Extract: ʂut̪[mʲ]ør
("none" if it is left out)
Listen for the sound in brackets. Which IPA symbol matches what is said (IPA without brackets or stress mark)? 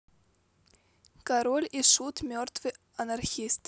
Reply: mʲ